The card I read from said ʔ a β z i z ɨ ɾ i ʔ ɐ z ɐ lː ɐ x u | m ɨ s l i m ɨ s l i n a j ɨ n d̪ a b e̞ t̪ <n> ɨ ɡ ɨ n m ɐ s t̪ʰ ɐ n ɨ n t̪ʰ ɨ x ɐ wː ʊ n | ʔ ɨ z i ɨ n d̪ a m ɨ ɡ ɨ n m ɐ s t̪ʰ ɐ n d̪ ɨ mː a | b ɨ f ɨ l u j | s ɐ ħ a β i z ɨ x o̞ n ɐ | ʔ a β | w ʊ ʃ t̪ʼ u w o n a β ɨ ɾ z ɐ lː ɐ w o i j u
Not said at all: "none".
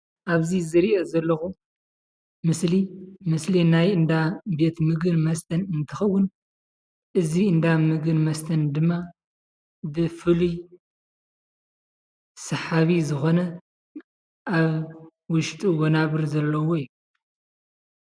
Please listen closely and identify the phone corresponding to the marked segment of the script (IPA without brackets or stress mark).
m